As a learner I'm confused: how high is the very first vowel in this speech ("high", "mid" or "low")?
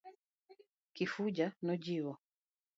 high